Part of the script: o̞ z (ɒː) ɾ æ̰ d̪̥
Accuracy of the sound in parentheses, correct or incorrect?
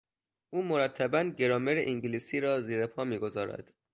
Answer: correct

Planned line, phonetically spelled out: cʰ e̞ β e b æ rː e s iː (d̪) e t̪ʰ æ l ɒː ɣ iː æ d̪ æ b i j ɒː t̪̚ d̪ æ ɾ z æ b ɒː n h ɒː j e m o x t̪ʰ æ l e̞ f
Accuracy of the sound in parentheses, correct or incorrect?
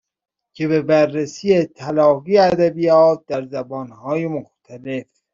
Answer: incorrect: none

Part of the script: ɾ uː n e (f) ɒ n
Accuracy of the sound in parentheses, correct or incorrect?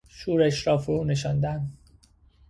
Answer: incorrect: ʃ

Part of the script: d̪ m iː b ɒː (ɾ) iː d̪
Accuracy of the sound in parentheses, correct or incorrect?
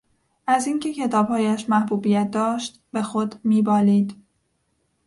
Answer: incorrect: l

